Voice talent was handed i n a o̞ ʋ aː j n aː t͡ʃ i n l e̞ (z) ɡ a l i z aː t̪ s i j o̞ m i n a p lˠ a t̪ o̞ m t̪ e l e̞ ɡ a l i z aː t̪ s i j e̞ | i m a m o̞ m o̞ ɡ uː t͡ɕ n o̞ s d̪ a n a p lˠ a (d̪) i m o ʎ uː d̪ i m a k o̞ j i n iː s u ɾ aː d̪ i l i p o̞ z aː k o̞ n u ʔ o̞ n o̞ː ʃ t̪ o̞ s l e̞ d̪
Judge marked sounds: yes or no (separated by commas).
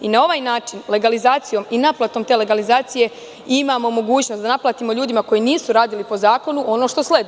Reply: no, no